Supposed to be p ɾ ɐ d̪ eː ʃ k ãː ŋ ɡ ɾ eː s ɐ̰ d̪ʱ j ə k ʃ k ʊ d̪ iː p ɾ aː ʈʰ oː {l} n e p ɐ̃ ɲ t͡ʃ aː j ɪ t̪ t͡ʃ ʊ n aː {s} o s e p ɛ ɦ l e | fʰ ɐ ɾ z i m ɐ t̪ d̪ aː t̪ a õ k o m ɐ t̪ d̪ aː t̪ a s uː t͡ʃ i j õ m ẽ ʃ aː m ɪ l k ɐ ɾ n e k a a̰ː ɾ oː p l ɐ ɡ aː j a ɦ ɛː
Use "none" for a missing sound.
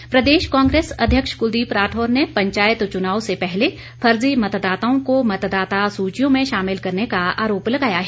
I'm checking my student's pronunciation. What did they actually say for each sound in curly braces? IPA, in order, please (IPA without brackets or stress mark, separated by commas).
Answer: ɾ, none